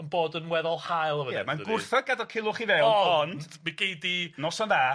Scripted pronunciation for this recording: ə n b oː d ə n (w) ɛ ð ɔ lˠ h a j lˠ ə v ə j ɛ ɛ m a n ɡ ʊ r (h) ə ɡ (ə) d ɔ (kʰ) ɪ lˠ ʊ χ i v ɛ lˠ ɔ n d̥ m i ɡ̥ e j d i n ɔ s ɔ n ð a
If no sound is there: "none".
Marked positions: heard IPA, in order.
w, θ, a, kʰ

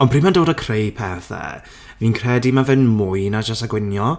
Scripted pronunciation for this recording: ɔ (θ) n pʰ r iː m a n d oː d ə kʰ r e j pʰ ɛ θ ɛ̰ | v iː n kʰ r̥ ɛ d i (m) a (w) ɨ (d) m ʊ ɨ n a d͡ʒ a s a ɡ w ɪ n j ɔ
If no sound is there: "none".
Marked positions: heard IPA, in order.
none, m, v, n

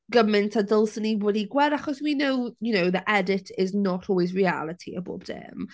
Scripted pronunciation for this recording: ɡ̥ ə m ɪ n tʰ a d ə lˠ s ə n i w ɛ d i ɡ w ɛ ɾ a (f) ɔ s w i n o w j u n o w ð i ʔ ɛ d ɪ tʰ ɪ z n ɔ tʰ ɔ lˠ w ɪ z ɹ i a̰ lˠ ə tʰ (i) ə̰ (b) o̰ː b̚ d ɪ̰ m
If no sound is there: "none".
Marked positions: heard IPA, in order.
χ, i, b

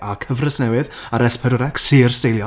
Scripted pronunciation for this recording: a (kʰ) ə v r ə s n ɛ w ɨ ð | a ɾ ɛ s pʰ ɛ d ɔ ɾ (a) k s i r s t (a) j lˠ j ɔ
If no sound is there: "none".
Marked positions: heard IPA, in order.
kʰ, ɛ, e

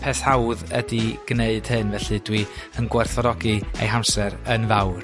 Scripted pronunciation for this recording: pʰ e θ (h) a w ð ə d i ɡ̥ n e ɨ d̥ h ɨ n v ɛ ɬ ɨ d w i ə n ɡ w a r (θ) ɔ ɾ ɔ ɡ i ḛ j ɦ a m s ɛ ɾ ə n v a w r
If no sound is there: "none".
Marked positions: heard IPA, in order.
h, θ

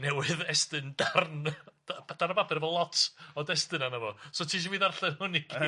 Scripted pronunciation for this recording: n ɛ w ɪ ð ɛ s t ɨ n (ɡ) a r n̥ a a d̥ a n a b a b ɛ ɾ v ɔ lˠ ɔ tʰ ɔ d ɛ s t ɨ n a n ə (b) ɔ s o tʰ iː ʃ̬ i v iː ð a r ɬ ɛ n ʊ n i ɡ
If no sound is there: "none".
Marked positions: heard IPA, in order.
d, v

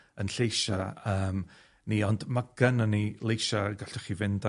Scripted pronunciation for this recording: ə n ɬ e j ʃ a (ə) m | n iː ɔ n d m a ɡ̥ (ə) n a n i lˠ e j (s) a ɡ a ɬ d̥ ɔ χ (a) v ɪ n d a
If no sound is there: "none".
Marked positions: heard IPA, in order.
əː, ə, ʃ, i

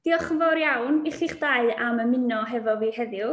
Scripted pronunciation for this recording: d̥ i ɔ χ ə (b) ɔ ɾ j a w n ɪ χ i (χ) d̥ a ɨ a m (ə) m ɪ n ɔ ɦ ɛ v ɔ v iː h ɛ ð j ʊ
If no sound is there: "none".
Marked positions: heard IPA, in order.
v, χ, ə

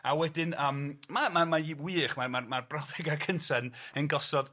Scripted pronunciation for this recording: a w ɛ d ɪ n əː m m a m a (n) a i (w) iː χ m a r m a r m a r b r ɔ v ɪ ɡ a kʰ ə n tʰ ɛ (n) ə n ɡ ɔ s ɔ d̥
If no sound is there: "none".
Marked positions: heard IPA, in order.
m, w, n

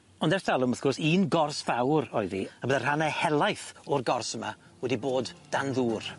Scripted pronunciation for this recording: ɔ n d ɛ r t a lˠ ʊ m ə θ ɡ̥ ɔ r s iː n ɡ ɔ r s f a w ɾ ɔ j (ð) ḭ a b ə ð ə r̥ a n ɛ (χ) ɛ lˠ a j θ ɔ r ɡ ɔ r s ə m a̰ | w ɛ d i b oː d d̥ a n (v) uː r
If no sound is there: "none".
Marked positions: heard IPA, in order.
ð, h, ð

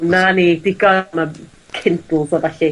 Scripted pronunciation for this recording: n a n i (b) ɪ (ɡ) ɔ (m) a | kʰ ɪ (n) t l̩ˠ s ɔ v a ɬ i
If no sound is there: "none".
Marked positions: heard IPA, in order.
d, ɡ, m, n

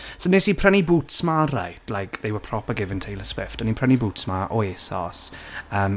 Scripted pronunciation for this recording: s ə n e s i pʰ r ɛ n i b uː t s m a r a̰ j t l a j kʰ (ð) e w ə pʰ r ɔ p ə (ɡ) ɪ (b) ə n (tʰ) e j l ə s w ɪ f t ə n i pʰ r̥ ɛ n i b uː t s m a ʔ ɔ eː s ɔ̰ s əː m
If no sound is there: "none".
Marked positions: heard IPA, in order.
ð, ɡ, v, tʰ

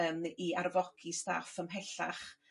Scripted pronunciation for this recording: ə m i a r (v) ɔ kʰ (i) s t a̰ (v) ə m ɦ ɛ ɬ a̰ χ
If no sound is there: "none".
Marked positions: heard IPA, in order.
v, i, f

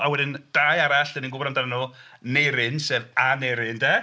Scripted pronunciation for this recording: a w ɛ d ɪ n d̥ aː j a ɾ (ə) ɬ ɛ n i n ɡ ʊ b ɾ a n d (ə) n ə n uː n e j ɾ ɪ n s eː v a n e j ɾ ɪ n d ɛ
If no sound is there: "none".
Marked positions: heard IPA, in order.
a, a

